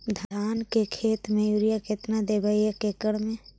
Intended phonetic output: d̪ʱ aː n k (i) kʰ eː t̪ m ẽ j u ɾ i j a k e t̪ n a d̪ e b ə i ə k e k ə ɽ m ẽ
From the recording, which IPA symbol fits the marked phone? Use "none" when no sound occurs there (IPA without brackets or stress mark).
e